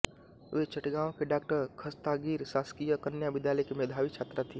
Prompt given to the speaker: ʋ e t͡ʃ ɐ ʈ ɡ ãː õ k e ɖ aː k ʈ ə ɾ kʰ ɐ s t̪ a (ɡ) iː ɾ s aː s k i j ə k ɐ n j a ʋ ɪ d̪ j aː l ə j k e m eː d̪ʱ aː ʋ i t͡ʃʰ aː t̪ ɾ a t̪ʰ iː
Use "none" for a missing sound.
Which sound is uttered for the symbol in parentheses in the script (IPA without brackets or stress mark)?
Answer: ɡ